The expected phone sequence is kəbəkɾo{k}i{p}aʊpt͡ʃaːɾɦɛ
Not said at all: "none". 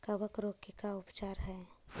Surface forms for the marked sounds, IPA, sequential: k, k

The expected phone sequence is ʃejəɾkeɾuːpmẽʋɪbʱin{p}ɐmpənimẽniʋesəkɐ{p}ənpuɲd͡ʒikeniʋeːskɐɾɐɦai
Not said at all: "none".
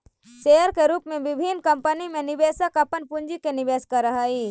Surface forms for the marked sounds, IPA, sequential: k, p

